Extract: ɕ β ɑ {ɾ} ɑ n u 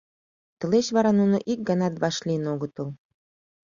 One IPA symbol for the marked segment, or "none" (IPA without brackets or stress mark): ɾ